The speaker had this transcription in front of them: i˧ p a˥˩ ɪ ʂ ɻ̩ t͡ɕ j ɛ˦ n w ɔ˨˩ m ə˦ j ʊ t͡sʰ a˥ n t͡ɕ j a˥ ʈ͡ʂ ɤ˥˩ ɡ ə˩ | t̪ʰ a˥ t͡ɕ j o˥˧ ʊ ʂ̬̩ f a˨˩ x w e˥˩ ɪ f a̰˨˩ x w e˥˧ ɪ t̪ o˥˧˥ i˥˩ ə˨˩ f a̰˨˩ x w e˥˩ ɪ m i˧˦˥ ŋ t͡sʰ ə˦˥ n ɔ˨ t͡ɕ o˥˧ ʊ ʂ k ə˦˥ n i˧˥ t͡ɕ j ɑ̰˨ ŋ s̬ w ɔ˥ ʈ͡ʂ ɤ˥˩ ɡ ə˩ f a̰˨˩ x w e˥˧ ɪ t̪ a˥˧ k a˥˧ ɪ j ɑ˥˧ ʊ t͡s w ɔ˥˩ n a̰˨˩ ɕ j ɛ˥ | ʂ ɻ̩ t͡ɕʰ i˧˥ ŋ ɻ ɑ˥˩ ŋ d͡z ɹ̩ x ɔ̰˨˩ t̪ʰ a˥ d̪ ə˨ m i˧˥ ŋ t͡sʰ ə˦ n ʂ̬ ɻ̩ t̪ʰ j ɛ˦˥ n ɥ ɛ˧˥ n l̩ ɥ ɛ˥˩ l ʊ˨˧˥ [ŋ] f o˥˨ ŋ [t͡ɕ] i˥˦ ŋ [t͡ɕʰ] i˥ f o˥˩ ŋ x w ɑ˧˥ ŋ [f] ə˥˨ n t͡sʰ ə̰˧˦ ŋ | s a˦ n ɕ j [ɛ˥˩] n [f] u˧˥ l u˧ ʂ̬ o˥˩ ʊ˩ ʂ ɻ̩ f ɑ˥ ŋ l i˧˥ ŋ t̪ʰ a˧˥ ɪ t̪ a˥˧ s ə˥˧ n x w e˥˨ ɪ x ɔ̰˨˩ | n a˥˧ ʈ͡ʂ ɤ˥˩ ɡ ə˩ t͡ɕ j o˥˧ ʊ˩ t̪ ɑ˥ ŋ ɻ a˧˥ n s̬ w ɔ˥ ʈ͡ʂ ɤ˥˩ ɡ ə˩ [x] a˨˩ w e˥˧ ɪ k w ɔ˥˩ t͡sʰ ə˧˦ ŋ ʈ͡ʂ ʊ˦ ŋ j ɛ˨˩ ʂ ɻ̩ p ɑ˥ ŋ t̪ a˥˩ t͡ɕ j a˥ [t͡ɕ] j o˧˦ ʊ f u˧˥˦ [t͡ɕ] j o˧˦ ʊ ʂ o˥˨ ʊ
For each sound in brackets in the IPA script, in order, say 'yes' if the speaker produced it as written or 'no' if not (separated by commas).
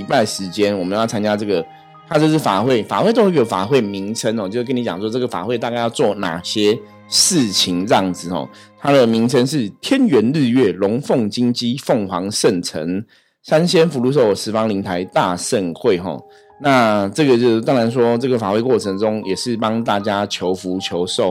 yes, yes, no, no, no, yes, no, no, no